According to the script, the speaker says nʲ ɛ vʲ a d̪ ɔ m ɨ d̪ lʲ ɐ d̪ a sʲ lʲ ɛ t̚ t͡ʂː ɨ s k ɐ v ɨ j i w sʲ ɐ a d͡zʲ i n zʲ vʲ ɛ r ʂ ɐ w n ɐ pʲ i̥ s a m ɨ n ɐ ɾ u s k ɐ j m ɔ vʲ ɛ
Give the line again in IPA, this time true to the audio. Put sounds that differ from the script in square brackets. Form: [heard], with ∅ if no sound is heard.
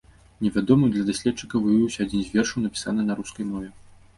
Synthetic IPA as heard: nʲ ɛ vʲ a d̪ ɔ m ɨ d̪ lʲ ɐ d̪ a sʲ lʲ ɛ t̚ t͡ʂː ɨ [∅] k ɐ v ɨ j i w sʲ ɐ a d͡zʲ i n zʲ vʲ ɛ r ʂ ɐ w n ɐ pʲ i̥ s a [n] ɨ n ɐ ɾ u s k ɐ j m ɔ vʲ ɛ